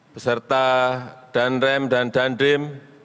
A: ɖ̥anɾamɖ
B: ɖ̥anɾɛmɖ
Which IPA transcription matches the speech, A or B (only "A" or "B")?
B